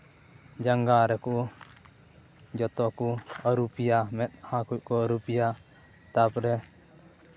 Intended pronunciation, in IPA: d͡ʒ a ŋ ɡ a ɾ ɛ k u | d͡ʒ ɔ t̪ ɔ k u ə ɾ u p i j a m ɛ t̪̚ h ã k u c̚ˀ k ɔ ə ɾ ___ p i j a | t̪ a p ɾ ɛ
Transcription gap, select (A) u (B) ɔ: A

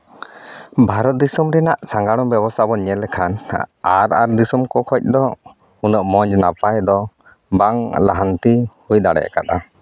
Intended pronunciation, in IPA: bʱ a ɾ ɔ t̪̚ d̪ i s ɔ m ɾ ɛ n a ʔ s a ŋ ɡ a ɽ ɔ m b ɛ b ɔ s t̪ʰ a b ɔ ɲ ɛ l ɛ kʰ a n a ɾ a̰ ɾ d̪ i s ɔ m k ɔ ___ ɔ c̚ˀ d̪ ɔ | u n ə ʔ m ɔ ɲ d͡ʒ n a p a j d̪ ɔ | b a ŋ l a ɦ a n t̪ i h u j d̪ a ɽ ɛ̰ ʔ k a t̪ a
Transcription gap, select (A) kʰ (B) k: A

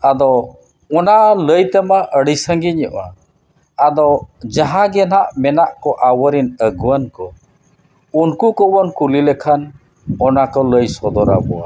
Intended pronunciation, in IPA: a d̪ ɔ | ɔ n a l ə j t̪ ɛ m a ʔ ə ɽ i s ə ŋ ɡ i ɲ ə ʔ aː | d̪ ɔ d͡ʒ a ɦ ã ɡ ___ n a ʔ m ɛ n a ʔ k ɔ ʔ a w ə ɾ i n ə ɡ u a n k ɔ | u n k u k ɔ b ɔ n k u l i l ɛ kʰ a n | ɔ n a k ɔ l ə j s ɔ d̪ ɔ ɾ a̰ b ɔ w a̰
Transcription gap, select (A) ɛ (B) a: A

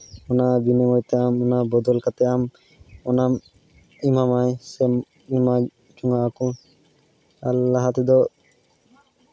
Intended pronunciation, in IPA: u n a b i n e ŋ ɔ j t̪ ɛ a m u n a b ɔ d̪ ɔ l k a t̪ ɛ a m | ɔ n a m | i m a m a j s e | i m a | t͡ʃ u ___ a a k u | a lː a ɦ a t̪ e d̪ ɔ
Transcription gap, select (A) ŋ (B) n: A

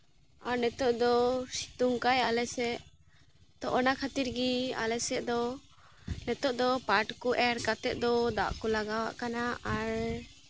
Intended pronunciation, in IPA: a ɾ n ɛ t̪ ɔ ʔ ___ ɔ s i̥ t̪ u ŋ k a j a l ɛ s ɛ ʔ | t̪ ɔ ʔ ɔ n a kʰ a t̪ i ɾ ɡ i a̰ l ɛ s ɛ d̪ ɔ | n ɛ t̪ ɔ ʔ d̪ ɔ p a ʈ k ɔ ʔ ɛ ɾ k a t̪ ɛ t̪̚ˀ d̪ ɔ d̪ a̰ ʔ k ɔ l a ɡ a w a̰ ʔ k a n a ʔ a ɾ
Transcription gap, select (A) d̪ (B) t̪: A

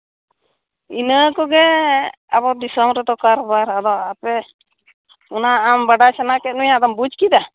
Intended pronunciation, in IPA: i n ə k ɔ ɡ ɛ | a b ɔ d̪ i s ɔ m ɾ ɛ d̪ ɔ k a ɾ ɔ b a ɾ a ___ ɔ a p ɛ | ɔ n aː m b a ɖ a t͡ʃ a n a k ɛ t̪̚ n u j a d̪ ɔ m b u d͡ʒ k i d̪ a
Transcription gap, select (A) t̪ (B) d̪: B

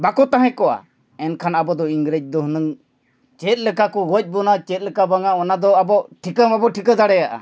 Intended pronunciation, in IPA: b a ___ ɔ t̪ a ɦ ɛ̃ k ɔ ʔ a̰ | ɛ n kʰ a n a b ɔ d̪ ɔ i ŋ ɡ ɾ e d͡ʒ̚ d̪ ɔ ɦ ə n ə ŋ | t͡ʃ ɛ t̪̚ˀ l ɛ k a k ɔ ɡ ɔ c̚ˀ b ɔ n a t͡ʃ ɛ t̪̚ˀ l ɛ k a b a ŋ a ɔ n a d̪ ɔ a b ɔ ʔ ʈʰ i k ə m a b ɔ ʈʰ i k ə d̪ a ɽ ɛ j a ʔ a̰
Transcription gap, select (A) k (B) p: A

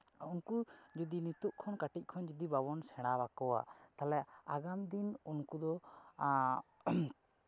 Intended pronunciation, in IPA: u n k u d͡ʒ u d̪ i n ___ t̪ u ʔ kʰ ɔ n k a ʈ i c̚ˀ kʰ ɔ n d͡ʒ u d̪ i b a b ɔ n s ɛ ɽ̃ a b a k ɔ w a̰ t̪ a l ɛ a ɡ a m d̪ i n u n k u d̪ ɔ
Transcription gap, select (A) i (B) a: A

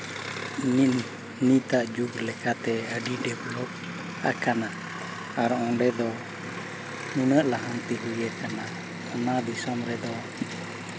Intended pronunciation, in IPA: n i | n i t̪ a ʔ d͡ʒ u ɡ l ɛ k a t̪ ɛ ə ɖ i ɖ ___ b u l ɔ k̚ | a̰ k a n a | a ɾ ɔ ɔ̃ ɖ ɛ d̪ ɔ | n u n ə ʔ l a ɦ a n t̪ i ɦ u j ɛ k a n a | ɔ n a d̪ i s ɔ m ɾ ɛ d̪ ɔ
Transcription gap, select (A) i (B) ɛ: B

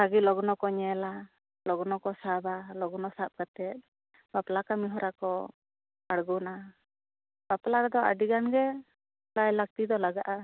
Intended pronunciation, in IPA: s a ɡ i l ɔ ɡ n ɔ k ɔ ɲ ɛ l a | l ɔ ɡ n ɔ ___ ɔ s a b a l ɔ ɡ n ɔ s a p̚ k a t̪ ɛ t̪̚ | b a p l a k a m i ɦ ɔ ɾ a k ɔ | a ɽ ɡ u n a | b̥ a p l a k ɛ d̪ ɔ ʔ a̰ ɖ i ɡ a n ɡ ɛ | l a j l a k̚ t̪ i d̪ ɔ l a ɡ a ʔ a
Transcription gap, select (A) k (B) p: A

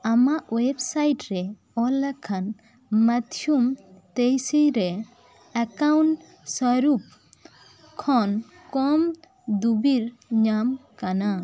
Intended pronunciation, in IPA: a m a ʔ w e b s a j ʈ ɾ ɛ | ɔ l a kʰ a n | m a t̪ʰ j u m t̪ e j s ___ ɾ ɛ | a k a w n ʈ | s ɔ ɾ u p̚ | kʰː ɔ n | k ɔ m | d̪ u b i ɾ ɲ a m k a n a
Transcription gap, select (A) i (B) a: A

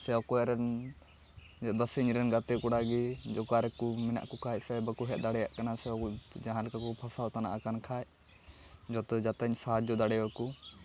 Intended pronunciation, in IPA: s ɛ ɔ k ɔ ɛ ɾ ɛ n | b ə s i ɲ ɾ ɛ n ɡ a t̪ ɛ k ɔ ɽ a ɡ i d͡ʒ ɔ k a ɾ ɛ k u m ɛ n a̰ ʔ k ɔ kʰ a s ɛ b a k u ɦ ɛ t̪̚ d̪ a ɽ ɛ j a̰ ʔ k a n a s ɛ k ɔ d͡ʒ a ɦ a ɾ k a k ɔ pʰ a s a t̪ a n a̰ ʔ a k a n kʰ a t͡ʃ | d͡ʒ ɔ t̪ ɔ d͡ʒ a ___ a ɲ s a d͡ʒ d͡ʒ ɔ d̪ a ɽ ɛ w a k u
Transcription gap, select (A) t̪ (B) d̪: A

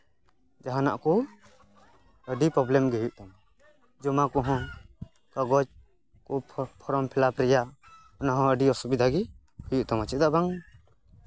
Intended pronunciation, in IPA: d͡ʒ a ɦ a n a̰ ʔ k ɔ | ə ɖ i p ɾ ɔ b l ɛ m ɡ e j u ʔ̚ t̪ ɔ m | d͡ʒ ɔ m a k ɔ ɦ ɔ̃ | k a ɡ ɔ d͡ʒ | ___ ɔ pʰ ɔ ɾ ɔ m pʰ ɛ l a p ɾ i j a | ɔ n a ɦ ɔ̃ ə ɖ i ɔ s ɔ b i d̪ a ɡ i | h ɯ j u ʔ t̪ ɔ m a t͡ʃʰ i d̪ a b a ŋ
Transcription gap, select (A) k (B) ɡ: A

